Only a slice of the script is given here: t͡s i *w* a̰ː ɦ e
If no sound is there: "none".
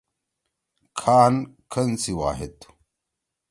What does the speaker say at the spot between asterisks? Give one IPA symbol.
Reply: w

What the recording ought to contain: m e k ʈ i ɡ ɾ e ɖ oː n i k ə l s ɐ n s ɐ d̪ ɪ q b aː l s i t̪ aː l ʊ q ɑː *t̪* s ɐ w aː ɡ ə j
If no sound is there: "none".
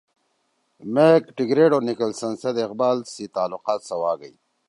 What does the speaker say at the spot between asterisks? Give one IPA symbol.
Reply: t̪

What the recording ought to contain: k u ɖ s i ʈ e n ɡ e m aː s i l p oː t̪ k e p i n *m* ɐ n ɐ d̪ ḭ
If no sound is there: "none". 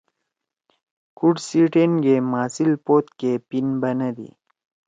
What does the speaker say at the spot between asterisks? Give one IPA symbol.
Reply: b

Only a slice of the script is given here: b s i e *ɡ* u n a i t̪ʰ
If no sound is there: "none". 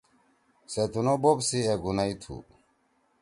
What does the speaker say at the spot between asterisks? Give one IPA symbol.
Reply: ɡ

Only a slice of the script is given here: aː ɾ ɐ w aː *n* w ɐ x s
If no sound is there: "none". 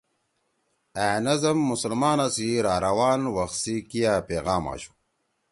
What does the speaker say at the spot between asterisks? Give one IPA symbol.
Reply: n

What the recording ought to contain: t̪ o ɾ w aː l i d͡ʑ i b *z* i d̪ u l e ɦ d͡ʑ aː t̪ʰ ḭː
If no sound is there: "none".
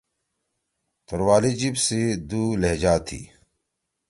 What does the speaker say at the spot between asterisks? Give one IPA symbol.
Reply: s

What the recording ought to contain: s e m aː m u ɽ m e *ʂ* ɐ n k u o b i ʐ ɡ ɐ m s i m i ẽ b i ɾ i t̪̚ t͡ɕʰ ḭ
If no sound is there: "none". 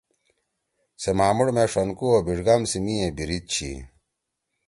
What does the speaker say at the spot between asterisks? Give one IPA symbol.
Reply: ʂ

